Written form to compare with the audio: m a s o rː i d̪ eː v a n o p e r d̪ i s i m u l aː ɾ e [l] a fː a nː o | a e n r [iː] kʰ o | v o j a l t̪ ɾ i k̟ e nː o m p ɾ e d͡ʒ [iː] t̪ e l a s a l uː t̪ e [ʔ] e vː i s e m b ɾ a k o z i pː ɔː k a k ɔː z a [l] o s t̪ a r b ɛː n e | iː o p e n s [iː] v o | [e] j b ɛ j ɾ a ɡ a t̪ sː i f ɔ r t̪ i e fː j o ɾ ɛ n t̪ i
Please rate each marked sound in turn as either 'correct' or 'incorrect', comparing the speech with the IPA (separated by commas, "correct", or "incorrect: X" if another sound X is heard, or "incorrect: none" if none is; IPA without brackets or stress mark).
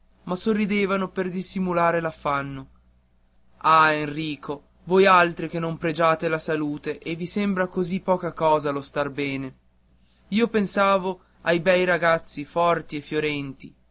correct, correct, incorrect: aː, correct, correct, incorrect: aː, incorrect: a